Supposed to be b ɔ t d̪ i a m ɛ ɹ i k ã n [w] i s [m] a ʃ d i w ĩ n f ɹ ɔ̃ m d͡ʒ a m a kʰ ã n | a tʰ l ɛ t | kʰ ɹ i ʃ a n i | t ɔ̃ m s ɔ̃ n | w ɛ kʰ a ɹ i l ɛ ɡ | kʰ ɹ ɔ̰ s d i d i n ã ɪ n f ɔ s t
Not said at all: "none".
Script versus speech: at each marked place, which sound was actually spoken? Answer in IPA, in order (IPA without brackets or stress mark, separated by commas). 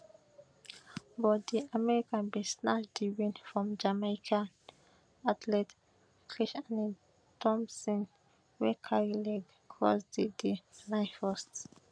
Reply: b, n